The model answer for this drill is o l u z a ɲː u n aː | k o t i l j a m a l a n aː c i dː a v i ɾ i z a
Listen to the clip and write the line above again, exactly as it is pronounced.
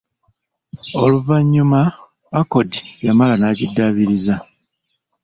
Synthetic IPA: o l u v a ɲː u m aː | k o d i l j a m a l a n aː c i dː a β i ɾ i z a